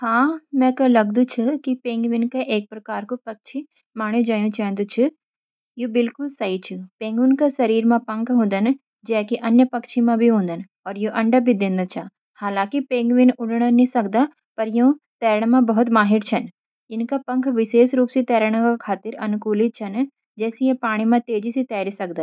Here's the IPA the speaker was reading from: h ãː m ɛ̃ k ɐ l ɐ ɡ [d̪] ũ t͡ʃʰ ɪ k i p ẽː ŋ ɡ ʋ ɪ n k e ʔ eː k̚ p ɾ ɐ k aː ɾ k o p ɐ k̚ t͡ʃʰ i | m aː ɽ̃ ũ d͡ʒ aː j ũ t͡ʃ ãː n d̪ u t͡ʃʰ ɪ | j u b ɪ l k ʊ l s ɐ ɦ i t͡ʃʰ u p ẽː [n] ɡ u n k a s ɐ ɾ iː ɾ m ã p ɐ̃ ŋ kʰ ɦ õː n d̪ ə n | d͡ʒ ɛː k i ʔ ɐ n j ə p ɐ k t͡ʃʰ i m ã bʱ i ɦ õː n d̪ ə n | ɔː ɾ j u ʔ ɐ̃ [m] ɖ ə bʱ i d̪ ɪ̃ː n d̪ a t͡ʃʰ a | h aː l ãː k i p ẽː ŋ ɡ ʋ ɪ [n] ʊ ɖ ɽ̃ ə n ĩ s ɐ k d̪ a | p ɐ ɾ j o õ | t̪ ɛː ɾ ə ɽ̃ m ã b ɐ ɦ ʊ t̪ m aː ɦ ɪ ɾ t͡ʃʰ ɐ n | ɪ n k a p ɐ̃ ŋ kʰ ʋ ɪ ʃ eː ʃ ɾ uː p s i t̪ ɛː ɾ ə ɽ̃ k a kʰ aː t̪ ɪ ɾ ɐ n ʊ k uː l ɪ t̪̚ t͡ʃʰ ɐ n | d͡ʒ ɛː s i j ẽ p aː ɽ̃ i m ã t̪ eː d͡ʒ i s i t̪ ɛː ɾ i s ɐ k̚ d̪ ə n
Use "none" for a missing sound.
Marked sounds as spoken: d̪, ŋ, ɳ, n

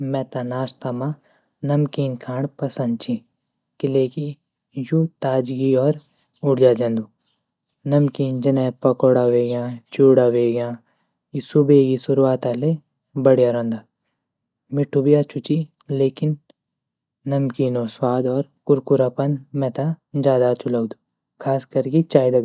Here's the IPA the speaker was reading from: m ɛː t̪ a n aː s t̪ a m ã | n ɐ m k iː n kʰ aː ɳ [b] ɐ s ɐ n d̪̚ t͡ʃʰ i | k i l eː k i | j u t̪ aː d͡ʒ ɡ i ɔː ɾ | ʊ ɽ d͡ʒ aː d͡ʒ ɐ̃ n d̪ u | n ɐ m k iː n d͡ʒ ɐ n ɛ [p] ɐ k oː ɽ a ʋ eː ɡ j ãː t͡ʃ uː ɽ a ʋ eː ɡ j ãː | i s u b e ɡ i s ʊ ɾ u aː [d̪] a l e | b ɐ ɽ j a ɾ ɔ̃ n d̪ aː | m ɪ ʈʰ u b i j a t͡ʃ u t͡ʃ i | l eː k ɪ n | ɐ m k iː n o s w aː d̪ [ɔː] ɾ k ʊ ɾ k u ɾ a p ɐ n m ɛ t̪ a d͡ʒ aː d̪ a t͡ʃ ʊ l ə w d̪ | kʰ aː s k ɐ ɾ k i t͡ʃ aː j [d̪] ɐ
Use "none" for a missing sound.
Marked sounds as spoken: p, p, t̪, ɔː, d̪

